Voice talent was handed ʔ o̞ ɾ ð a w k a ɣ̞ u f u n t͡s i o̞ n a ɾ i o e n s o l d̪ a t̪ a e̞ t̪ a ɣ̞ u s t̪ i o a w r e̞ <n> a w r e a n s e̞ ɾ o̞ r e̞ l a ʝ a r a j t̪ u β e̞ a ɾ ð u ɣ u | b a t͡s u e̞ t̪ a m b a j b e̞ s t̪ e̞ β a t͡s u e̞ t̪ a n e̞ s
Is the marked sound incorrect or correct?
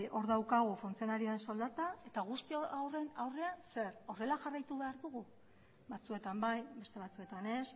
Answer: correct